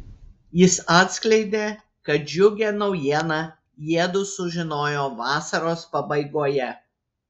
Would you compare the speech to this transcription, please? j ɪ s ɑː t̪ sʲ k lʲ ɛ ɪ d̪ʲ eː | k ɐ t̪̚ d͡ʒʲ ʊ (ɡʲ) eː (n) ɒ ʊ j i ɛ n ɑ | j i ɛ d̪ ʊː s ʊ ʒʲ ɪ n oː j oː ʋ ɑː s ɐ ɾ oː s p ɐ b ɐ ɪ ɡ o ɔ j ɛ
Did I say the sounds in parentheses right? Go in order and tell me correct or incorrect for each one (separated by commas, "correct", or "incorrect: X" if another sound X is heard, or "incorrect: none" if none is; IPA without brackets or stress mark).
correct, correct